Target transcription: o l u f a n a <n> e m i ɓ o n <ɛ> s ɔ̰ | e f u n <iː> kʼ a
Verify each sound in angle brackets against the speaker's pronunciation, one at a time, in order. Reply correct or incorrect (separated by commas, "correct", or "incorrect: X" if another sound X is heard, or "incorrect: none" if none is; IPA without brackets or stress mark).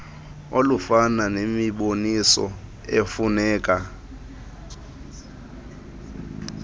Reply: correct, incorrect: i, incorrect: ɛː